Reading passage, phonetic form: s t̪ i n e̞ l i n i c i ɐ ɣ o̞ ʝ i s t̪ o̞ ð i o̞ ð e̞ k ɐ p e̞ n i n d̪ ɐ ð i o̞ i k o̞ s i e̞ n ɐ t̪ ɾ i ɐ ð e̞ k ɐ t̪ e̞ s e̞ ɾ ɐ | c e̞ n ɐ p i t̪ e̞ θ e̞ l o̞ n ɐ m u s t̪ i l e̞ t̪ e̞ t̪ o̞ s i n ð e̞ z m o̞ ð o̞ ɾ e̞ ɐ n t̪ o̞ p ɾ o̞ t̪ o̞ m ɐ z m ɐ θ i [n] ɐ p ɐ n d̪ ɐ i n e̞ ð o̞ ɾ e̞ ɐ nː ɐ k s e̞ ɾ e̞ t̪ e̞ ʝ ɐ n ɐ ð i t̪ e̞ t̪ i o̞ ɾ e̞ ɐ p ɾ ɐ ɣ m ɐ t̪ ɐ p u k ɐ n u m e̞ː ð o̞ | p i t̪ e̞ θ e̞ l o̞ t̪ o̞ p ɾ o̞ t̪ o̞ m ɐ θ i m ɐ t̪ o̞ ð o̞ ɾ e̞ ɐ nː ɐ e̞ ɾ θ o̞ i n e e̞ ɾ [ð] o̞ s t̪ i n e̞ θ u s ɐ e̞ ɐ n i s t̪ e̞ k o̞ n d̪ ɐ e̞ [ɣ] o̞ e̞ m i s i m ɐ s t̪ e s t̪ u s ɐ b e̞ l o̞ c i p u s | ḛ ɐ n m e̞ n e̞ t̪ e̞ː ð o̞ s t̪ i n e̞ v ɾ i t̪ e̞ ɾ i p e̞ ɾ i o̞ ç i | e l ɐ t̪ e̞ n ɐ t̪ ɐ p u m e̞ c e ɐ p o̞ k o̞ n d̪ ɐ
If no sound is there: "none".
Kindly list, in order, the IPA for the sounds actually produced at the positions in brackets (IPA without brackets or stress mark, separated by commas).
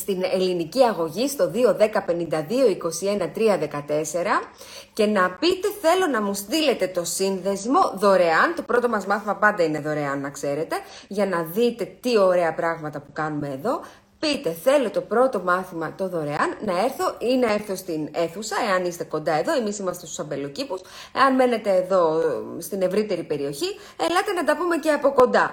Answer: m, θ, ð